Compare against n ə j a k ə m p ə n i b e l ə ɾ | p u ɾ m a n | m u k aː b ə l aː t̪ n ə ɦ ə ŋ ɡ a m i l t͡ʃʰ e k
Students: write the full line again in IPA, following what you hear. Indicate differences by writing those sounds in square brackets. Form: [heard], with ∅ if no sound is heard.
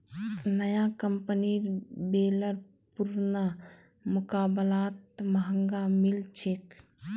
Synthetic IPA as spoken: n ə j a k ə m p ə n i b e l ə ɾ | p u ɾ [n] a [∅] | m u k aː b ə l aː t̪ [m] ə ɦ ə ŋ ɡ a m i l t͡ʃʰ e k

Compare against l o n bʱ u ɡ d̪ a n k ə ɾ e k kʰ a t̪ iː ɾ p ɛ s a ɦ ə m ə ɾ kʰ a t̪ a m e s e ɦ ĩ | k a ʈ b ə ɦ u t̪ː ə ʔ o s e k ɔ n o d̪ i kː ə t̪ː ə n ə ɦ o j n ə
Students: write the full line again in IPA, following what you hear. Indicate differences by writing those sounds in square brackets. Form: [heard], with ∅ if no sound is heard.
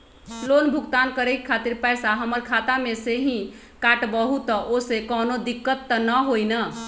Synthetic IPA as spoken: l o n bʱ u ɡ [t̪] a n k ə ɾ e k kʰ a t̪ [i] ɾ p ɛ s a ɦ ə m ə ɾ kʰ a t̪ a m e s e ɦ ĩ | k a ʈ b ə ɦ u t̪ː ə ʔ o s e k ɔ n o d̪ i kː ə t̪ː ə n ə ɦ o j n ə

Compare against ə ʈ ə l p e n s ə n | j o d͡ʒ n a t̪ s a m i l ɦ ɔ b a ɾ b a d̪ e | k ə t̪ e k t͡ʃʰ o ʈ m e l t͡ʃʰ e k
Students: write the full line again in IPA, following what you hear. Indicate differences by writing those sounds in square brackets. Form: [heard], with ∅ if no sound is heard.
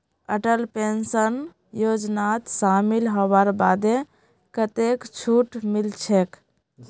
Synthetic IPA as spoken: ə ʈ ə l p e n s ə n | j o d͡ʒ n a t̪ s a m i l ɦ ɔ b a ɾ b a d̪ e | k ə t̪ e k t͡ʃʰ [u] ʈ m [i] l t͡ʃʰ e k

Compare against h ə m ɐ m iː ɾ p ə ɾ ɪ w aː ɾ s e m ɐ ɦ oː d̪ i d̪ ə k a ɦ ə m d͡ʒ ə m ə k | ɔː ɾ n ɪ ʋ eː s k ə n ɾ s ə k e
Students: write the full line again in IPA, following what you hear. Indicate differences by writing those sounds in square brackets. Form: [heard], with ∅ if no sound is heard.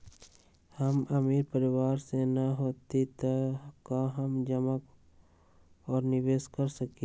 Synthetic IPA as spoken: h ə m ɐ m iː ɾ p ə ɾ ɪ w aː ɾ s e [n] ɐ ɦ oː [t̪] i [t̪] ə k a ɦ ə m d͡ʒ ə m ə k | ɔː ɾ n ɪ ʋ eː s k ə [∅] ɾ s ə k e

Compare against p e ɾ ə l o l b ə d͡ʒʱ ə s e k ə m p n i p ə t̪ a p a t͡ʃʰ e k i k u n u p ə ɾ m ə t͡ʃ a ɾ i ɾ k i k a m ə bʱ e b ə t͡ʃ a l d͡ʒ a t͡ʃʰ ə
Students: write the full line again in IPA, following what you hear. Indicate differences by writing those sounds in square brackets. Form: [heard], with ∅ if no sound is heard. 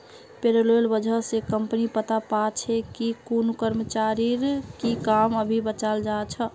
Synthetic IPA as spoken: p e ɾ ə l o l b ə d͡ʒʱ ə s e k ə m p n i p ə t̪ a p a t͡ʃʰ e k i k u n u [k] ə ɾ m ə t͡ʃ a ɾ i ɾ k i k a m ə bʱ [i] b ə t͡ʃ a l d͡ʒ a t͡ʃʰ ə

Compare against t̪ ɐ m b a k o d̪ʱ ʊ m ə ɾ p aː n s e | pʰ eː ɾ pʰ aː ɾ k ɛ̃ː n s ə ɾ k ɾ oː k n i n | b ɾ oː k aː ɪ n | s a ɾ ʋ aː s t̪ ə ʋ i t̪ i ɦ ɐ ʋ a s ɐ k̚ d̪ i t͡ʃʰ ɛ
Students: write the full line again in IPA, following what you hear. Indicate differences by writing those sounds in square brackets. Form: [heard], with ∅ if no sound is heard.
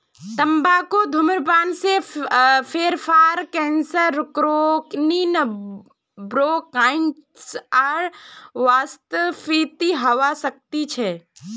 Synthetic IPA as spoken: t̪ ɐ m b a k o d̪ʱ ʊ m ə ɾ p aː n s e | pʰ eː ɾ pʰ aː ɾ k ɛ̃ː n s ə ɾ k ɾ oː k n i n | b ɾ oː k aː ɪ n | s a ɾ ʋ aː s t̪ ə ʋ i t̪ i ɦ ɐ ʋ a s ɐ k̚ [t̪] i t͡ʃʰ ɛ

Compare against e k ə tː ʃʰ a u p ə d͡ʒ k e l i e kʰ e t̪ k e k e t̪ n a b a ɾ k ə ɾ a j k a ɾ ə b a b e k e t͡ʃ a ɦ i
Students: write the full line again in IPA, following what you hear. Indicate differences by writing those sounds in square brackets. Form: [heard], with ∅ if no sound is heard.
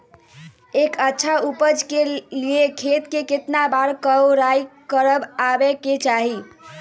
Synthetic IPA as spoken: e k ə tː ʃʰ a u p ə d͡ʒ k e l i e kʰ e t̪ k e k e t̪ n a b a ɾ k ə ɾ a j k [ə] ɾ ə b a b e k e t͡ʃ a ɦ i

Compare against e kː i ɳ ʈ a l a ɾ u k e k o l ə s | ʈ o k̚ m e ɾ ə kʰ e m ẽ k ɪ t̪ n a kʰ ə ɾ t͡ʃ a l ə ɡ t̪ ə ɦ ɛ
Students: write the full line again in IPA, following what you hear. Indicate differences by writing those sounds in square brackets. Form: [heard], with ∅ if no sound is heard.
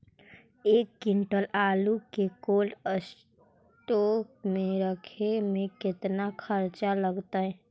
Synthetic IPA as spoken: e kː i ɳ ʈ [ə] l a [l] u k e k o l ə s | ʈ o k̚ m e ɾ ə kʰ e m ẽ k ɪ t̪ n a kʰ ə ɾ t͡ʃ a l ə ɡ t̪ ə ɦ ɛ

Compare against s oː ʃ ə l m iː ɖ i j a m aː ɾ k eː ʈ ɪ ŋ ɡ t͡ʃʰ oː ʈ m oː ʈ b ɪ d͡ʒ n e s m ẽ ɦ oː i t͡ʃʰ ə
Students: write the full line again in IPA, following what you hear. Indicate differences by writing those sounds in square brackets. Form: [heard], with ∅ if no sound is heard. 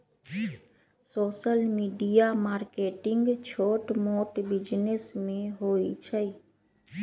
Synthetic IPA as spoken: s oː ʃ ə l m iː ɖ i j a m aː ɾ k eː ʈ ɪ ŋ ɡ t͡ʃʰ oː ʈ m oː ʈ b ɪ d͡ʒ n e s m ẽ ɦ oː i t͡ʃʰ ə

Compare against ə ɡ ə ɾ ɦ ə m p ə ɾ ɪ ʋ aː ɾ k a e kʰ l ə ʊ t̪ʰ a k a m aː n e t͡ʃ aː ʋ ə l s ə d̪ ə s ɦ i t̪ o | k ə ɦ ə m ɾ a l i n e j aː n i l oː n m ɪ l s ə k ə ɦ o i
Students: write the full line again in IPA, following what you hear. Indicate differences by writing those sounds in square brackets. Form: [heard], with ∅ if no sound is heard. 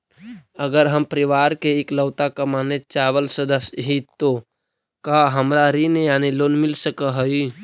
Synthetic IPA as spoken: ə ɡ ə ɾ ɦ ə m p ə ɾ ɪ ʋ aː ɾ k [e] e [k] l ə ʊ [t̪] a k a m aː n e t͡ʃ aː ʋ ə l s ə d̪ ə s ɦ i t̪ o | k [a] ɦ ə m ɾ a [ɾ] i n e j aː n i l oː n m ɪ l s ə k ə ɦ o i

